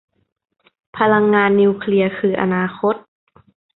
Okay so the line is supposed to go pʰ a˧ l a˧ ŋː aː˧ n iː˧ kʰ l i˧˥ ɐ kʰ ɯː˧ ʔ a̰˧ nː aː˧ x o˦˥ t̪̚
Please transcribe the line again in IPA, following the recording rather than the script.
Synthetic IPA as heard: pʰ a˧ l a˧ ŋː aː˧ nː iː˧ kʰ l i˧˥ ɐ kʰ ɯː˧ ʔ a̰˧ n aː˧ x o˦˥ t̪̚